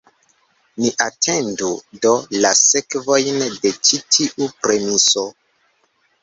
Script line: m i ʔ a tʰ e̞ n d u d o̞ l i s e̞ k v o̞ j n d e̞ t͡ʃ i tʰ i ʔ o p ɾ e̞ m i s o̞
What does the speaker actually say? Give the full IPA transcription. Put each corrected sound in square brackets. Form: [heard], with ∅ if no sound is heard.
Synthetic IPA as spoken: [n] i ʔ a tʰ e̞ n d u d o̞ l [a] s e̞ k v o̞ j n d e̞ t͡ʃ i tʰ i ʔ [u] p ɾ e̞ m i s o̞